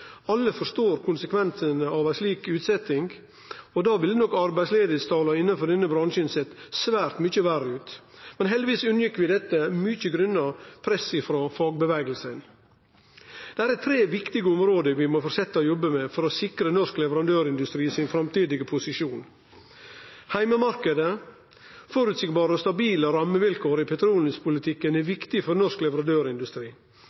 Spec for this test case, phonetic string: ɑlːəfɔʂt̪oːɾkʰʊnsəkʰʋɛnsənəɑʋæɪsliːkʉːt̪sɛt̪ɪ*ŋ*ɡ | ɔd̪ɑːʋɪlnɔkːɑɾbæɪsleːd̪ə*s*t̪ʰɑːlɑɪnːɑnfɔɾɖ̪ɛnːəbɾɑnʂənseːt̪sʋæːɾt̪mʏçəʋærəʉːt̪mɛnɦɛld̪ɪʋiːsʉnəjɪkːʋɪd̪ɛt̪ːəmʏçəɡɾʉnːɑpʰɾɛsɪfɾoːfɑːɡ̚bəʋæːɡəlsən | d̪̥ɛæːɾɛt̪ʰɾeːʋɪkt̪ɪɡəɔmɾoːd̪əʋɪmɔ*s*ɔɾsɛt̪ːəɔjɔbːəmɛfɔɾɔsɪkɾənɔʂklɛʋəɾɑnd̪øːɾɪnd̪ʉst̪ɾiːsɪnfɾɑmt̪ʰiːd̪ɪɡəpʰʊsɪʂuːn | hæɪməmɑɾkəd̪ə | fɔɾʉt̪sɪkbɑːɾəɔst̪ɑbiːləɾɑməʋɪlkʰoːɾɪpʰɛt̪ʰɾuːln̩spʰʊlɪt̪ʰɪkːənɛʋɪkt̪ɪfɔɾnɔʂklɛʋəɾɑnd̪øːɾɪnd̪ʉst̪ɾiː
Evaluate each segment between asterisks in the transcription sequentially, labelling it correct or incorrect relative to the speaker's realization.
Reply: correct, correct, incorrect

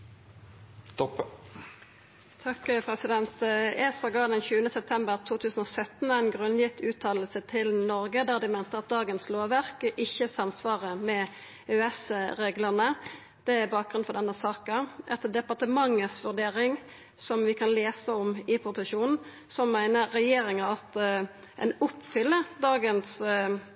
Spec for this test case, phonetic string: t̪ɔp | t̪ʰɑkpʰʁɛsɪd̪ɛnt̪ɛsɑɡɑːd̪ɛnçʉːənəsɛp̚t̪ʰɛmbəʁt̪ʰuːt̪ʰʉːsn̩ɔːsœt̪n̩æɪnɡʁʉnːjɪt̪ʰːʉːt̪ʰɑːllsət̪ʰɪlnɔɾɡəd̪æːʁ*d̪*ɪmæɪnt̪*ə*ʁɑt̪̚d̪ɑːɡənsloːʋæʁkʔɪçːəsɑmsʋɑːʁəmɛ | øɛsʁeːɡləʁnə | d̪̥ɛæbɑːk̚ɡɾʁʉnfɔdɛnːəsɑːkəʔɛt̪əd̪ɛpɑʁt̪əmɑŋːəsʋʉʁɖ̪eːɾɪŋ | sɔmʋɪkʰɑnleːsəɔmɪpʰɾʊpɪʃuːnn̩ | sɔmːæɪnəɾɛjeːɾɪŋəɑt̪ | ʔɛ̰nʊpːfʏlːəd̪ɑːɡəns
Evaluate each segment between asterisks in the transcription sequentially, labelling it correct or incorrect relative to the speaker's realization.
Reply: correct, correct

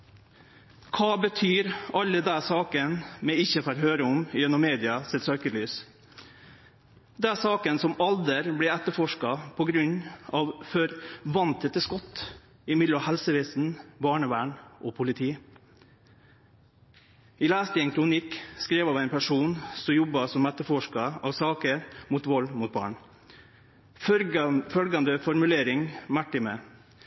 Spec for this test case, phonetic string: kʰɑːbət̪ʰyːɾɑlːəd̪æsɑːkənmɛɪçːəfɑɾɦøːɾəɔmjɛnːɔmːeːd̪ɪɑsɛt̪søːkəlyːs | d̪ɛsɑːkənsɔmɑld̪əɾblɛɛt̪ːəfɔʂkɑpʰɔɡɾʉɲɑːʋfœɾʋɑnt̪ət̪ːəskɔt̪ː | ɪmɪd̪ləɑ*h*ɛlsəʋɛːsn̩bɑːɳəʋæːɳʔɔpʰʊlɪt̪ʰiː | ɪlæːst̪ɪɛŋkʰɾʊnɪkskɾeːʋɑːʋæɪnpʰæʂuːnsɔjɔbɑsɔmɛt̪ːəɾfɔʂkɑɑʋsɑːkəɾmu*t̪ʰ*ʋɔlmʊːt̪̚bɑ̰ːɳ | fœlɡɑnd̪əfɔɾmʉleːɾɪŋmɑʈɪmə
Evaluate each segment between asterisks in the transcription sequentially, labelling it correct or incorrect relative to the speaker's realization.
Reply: correct, incorrect

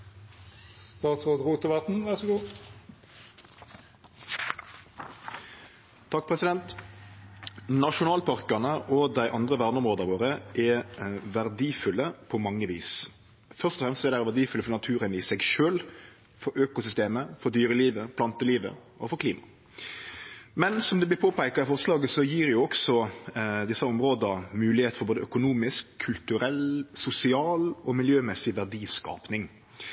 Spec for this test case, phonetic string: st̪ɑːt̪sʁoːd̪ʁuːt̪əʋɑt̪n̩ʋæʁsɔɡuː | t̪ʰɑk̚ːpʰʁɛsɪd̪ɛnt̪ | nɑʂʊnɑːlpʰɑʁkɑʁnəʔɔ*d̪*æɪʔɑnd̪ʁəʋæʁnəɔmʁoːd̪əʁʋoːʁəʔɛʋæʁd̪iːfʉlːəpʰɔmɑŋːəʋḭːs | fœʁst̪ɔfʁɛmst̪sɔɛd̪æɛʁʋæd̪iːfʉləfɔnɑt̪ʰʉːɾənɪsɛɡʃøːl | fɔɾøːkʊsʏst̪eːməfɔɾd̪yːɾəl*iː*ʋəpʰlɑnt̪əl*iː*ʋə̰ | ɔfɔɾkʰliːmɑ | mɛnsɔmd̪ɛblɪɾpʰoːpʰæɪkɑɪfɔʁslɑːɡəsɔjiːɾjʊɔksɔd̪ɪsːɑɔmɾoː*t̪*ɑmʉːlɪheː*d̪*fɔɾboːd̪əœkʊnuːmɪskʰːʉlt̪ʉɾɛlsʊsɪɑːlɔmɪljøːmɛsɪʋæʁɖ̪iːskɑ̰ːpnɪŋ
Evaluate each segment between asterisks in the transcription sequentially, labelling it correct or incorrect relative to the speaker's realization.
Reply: correct, correct, correct, incorrect, incorrect

